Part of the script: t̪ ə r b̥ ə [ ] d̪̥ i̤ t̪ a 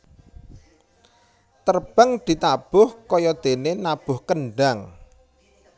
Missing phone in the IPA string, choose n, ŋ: ŋ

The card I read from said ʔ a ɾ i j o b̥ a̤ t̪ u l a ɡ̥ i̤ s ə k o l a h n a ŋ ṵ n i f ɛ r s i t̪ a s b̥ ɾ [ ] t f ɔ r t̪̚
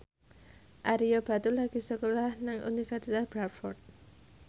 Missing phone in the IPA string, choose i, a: a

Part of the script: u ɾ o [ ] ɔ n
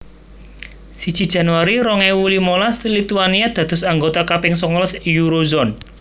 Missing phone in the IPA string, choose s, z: z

